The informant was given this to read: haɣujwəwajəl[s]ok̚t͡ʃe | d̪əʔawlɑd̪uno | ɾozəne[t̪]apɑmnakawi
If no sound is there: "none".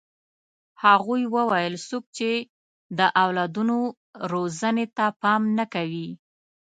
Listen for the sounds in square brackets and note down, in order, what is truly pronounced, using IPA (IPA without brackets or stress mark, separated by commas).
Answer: s, t̪